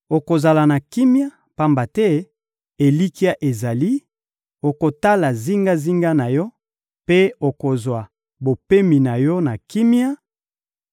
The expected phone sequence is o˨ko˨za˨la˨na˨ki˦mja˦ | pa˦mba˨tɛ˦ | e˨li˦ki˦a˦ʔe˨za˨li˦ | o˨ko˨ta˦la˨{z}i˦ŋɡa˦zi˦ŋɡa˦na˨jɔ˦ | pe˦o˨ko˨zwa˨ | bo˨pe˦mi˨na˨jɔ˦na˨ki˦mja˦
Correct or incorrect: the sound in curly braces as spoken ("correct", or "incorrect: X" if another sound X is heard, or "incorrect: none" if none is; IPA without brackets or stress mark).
correct